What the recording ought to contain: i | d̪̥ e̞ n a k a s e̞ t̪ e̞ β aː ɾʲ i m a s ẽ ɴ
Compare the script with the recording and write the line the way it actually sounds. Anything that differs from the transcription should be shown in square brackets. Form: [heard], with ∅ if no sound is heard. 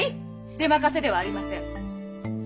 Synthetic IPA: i | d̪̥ e̞ [m] a k a s e̞ [d̪] e̞ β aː ɾʲ i m a s ẽ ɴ